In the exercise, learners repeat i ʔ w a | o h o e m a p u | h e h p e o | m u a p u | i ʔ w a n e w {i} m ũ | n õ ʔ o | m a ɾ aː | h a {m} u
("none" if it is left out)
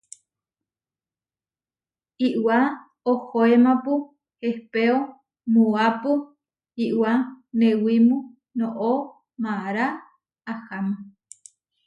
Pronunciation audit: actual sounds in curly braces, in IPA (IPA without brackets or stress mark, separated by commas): i, m